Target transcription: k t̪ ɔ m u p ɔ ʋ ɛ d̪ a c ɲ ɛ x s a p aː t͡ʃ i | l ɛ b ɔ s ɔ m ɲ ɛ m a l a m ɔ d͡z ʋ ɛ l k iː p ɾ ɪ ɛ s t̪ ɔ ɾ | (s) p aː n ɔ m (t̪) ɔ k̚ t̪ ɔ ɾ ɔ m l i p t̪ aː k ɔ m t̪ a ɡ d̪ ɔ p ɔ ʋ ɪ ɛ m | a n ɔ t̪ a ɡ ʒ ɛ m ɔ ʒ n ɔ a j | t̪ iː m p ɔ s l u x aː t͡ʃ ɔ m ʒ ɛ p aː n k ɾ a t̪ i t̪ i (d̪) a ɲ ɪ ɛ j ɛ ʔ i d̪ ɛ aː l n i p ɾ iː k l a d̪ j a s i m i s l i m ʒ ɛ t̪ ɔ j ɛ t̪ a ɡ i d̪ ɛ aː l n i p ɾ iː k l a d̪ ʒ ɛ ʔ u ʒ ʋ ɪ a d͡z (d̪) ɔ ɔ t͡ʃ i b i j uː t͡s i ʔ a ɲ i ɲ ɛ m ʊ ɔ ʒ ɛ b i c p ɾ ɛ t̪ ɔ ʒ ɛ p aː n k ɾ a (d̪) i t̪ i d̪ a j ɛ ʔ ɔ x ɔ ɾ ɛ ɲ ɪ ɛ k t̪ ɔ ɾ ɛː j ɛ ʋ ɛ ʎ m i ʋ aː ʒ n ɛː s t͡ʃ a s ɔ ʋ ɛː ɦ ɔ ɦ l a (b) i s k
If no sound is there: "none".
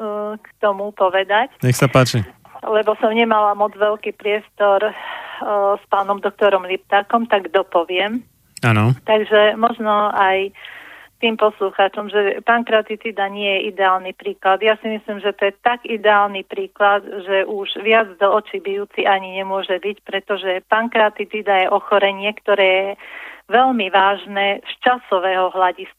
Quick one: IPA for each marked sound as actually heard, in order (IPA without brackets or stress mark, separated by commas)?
s, d̪, d̪, d̪, t̪, ɟ